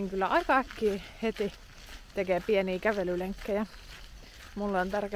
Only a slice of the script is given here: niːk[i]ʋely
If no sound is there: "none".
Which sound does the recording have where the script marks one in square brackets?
æ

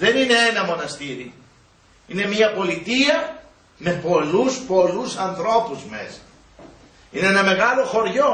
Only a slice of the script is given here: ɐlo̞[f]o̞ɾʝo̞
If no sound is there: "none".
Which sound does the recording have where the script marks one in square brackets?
x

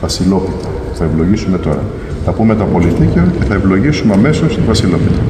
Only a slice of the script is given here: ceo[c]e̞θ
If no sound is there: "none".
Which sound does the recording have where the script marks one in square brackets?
c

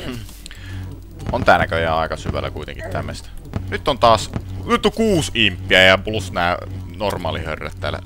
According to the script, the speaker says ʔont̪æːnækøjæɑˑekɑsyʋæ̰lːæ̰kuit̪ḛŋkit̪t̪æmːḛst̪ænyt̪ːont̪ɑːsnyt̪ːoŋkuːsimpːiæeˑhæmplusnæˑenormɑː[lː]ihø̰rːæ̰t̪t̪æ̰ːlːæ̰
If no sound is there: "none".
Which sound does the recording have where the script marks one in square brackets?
l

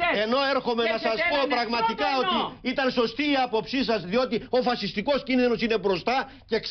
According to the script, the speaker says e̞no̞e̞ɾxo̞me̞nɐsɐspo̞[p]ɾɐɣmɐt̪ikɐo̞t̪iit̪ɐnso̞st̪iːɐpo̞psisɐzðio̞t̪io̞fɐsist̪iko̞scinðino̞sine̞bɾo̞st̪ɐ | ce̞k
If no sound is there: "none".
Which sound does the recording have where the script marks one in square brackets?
p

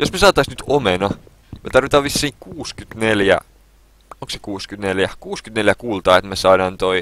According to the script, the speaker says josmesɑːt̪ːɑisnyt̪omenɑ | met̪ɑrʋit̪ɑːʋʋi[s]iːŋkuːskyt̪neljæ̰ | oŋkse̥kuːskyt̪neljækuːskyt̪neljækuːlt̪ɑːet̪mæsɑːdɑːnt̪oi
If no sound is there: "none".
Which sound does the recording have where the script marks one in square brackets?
sː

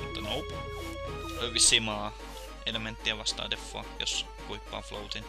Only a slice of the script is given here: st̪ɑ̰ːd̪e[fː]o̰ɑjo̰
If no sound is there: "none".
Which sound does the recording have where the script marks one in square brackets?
fː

